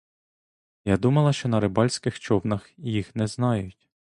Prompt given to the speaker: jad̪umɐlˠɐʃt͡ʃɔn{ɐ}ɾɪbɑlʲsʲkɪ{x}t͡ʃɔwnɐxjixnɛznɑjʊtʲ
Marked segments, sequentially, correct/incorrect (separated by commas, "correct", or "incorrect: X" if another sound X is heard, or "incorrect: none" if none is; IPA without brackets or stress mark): correct, correct